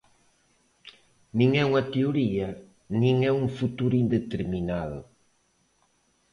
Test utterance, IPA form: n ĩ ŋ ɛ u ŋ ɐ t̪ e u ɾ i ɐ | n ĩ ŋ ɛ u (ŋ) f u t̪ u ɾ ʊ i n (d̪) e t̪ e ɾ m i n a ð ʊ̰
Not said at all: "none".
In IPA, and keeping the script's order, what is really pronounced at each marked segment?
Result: ŋ, d̪

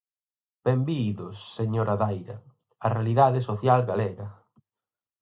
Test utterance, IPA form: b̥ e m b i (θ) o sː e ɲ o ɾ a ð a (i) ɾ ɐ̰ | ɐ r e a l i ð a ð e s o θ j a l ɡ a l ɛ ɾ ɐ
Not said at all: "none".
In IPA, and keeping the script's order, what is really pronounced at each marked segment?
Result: ð, j

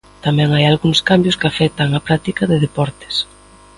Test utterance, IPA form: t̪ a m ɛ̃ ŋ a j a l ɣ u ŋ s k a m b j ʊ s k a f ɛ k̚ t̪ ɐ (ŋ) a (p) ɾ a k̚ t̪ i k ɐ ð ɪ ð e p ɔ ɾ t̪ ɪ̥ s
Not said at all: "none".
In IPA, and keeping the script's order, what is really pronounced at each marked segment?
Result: ŋ, p

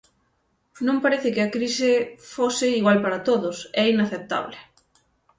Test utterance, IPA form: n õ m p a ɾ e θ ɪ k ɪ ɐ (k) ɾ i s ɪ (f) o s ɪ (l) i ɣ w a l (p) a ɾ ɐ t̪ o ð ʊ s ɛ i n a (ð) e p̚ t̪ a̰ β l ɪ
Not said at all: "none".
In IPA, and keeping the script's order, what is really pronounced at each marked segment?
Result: k, f, none, p, θ

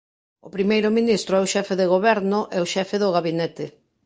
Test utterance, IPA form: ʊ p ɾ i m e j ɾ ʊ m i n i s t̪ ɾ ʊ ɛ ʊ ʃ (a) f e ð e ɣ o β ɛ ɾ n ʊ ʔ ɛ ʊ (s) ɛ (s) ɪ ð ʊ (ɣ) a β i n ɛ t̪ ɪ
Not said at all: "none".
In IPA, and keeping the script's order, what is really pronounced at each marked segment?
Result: ɛ, ʃ, f, ɣ

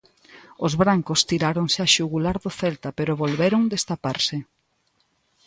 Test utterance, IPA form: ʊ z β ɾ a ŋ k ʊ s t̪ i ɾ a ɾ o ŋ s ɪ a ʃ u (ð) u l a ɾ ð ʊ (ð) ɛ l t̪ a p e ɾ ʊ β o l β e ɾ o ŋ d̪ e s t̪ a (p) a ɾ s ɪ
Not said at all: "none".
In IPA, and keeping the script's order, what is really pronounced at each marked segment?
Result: ɣ, θ, p

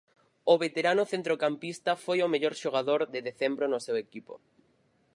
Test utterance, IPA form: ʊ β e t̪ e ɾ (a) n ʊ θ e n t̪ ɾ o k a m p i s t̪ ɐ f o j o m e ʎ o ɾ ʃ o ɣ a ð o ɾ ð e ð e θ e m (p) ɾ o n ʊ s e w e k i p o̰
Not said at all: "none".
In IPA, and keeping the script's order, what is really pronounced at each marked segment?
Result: a, b

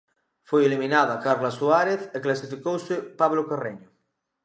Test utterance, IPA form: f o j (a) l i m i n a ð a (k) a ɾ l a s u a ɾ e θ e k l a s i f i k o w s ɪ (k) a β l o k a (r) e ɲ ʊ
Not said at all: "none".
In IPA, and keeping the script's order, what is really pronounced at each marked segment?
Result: e, k, p, r

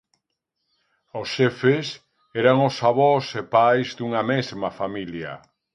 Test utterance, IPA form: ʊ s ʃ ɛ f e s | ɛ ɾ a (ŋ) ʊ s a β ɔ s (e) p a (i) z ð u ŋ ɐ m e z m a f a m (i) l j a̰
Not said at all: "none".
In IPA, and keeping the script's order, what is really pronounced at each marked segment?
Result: ŋ, e, j, i

